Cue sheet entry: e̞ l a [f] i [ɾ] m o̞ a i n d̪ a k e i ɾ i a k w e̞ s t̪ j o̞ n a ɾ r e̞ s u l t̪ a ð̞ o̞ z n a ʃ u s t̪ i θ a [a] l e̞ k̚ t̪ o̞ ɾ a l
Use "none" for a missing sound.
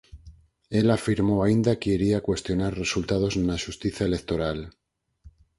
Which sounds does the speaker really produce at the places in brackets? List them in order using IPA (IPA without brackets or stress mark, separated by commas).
f, ɾ, e